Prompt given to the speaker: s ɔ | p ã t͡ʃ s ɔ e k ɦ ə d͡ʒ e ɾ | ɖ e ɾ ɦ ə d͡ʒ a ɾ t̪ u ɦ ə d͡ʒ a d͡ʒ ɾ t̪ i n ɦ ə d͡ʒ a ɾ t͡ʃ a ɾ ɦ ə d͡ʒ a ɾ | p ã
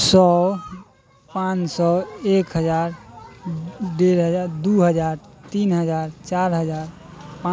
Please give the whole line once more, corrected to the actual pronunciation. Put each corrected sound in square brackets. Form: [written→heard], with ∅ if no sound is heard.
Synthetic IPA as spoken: s ɔ | p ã t͡ʃ s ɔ e k ɦ ə d͡ʒ [e→a] ɾ | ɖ e ɾ ɦ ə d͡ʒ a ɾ [t̪→d̪] u ɦ ə d͡ʒ a [d͡ʒ→∅] ɾ t̪ i n ɦ ə d͡ʒ a ɾ t͡ʃ a ɾ ɦ ə d͡ʒ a ɾ | p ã